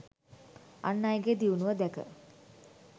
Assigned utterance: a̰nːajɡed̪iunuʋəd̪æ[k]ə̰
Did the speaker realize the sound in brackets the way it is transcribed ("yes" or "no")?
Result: yes